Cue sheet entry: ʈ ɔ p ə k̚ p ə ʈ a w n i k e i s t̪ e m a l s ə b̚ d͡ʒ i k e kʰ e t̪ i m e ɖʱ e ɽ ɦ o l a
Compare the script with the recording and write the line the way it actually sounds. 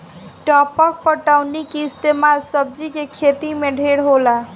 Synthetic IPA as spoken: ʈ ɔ p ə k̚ p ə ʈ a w n i k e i s t̪ e m a l s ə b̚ d͡ʒ i k e kʰ e t̪ i m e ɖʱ e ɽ ɦ o l a